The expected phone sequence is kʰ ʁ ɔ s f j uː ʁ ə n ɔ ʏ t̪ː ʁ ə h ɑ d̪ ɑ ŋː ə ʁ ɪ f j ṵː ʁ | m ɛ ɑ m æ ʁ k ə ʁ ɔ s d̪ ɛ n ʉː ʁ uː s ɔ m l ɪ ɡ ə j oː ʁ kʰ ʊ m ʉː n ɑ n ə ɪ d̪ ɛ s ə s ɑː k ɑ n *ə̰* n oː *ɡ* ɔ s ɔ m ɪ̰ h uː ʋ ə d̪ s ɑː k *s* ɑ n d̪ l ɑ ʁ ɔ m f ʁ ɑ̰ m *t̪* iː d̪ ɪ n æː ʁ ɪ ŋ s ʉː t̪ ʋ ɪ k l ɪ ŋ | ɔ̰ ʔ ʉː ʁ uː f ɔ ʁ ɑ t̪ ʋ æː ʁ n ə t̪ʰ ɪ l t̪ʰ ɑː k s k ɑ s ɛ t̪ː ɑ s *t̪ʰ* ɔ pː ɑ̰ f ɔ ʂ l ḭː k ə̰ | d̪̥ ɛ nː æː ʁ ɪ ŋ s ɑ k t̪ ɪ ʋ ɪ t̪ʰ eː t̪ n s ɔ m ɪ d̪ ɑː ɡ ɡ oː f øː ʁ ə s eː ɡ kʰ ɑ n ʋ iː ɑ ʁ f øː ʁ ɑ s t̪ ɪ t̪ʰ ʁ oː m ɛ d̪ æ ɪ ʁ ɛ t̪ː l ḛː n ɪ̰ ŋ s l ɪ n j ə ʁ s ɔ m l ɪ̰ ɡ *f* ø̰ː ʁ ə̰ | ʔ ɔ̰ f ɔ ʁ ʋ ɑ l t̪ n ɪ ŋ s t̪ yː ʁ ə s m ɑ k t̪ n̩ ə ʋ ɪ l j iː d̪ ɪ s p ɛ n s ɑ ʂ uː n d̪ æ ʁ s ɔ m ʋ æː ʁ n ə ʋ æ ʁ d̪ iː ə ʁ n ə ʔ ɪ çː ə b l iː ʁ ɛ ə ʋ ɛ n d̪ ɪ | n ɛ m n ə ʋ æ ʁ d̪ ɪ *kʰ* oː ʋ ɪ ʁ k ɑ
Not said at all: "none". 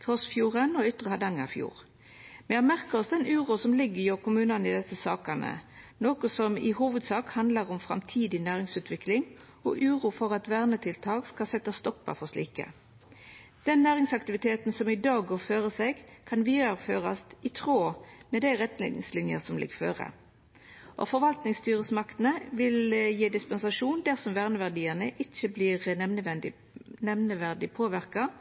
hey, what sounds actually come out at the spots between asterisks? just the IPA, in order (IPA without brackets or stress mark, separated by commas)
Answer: ə̰, k, h, t̪ʰ, t̪, f, pʰ